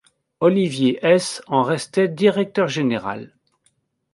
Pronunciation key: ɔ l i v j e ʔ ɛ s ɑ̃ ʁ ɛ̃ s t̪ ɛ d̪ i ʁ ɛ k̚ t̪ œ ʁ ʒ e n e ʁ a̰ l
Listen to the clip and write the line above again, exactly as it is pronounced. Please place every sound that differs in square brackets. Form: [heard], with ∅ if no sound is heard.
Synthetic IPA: ɔ l i v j e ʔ ɛ s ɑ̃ ʁ [ɛ] s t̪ ɛ d̪ i ʁ ɛ k̚ t̪ œ ʁ ʒ e n e ʁ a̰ l